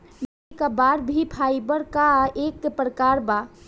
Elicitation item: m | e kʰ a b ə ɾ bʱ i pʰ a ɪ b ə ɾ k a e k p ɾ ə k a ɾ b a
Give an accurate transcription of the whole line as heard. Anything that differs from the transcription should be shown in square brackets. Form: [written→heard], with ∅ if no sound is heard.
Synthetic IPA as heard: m | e [kʰ→k] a b [ə→a] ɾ bʱ i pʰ a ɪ b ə ɾ k a e k p ɾ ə k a ɾ b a